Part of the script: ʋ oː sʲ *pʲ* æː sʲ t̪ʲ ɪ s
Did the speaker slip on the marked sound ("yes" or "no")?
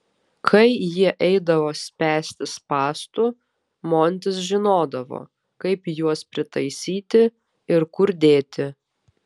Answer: no